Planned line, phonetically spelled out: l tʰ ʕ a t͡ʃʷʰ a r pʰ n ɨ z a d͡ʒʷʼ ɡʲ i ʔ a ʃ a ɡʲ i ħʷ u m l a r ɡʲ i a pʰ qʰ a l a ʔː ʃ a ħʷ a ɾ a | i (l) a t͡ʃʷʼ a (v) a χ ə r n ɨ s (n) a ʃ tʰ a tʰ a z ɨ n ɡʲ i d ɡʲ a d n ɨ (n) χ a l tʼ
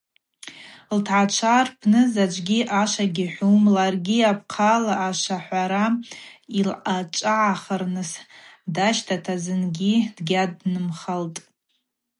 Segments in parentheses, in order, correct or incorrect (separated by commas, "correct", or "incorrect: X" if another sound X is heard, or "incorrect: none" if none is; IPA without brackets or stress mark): correct, incorrect: ʕ, incorrect: d, incorrect: m